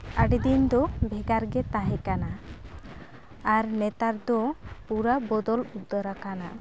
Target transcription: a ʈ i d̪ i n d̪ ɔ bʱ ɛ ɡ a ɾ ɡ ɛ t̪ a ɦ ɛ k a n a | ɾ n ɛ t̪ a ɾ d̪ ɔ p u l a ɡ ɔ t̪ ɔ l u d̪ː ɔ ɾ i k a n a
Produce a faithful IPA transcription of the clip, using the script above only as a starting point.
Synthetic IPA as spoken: a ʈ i d̪ i n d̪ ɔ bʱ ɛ ɡ a ɾ ɡ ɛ t̪ a ɦ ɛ k a n a | ɾ n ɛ t̪ a ɾ d̪ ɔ p u ɾ a b ɔ d̪ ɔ l u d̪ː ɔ ɾ a k a n a